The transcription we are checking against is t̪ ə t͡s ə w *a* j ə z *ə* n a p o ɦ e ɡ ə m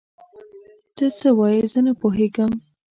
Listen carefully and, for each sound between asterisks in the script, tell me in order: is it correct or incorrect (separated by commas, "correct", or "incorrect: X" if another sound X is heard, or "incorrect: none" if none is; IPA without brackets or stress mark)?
incorrect: ɑ, correct